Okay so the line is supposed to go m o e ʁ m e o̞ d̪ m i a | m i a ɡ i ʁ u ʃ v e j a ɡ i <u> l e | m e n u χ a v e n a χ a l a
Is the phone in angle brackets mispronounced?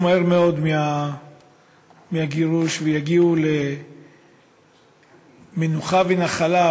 no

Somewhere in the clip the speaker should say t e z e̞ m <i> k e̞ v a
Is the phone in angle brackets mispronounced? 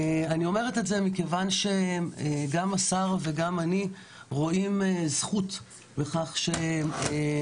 no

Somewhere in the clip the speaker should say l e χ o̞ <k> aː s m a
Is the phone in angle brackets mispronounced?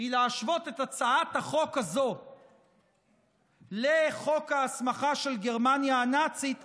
no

